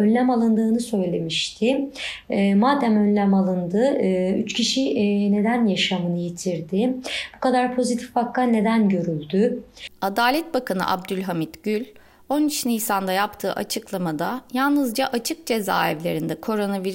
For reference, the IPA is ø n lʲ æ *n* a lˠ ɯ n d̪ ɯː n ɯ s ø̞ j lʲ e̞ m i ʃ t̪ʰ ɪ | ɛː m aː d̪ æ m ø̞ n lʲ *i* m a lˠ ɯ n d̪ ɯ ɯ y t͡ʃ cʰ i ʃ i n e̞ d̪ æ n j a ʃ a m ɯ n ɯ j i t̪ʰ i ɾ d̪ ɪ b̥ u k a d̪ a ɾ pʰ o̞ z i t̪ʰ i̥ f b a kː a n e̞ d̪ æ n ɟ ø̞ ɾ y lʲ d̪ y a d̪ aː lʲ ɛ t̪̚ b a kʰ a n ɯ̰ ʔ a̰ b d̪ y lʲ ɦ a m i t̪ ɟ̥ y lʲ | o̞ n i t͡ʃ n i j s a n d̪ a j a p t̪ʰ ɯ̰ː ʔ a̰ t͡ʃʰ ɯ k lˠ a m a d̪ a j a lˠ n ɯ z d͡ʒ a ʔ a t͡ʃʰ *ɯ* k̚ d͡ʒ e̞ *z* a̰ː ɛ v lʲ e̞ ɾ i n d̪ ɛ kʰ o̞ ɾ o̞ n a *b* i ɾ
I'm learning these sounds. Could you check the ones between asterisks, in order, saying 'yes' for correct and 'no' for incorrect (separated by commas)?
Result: no, no, yes, yes, no